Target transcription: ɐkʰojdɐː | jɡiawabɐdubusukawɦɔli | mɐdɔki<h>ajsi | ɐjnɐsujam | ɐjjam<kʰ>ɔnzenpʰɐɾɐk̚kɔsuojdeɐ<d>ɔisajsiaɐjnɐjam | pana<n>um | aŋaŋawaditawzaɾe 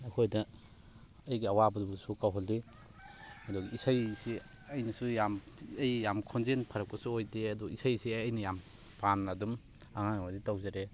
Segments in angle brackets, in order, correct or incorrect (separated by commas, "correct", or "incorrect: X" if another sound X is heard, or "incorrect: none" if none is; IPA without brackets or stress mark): incorrect: s, correct, correct, incorrect: d